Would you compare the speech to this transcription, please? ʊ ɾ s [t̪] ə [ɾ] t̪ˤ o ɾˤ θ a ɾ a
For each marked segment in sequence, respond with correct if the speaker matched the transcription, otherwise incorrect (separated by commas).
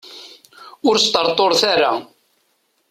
correct, correct